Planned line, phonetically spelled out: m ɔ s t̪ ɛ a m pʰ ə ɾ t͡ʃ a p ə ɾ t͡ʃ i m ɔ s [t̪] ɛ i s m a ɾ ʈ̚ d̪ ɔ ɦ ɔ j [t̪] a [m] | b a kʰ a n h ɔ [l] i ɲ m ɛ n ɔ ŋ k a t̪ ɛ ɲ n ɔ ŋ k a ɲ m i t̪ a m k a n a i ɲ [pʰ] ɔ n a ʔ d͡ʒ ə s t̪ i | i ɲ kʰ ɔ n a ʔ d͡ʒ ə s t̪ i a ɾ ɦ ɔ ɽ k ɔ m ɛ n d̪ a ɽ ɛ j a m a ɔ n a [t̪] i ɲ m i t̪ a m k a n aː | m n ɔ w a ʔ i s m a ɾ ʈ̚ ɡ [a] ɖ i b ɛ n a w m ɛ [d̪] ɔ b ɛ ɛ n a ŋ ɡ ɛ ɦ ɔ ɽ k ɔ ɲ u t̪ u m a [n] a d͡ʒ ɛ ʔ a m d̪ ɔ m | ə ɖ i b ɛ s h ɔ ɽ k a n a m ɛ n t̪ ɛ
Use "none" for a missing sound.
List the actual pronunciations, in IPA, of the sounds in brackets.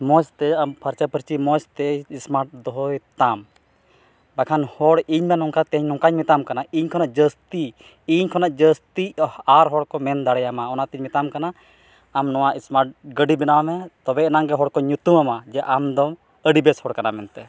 t̪, t̪, m, ɽ, kʰ, t̪, ə, t̪, m

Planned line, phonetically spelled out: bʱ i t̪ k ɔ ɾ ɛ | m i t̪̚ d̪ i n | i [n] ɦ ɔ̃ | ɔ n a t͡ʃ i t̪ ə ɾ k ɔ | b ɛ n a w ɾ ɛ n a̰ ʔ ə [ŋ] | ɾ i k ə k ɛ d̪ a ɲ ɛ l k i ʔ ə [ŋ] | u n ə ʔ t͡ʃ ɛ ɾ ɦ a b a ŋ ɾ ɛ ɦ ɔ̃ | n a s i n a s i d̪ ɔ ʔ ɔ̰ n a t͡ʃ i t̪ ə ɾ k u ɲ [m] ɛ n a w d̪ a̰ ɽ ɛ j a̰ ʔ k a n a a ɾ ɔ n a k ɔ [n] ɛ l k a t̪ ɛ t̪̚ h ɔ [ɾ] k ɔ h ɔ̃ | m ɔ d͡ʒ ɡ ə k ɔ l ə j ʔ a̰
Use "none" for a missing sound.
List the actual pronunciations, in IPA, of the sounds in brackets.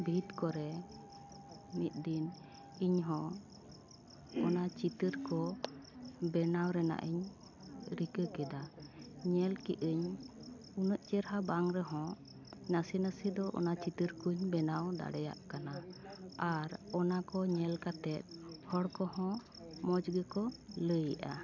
ɲ, ɲ, ɲ, b, ɲ, ɽ

